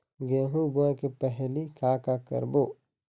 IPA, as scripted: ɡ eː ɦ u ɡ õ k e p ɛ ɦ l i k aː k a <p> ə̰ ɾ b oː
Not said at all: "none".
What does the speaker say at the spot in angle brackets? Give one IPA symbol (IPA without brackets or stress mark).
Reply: k